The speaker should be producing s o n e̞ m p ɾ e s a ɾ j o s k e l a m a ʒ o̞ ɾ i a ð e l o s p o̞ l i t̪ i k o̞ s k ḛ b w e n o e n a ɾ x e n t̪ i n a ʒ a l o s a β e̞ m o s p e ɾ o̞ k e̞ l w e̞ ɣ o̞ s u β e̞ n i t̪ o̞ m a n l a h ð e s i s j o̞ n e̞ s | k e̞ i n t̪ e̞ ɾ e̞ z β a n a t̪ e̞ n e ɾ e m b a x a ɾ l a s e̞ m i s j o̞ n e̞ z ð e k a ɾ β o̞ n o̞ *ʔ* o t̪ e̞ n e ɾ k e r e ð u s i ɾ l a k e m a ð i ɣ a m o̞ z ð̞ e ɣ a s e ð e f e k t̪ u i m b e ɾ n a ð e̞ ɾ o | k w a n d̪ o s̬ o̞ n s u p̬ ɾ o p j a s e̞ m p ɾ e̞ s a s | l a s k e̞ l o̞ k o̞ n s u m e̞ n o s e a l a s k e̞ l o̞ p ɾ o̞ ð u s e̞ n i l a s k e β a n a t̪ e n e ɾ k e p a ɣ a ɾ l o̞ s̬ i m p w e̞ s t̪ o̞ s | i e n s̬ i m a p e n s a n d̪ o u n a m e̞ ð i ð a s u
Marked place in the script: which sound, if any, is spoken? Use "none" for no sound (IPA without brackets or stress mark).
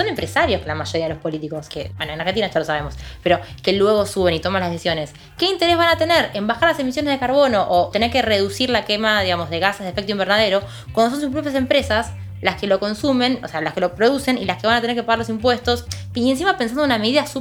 ʔ